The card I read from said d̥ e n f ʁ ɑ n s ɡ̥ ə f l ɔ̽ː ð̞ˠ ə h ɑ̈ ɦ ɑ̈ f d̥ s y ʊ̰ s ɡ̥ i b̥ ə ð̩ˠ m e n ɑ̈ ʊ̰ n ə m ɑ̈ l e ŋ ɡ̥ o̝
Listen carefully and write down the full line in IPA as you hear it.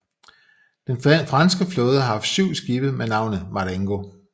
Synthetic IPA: d̥ e n f ʁ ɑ n s ɡ̥ ə f l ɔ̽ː ð̞ˠ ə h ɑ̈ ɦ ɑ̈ f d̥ s y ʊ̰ s ɡ̥ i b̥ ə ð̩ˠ m e n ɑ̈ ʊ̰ n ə m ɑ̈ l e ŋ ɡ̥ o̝